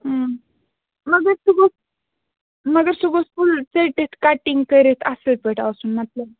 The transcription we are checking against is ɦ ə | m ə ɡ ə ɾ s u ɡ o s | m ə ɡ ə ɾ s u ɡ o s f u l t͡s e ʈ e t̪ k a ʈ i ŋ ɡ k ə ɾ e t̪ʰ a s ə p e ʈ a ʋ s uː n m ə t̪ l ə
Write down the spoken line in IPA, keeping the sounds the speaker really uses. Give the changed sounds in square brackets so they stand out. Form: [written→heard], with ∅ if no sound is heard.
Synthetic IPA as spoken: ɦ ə | m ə ɡ ə ɾ s u ɡ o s | m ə ɡ ə ɾ s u ɡ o s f u l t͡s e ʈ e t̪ k a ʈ i ŋ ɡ k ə ɾ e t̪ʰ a s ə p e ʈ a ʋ s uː n m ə t̪ l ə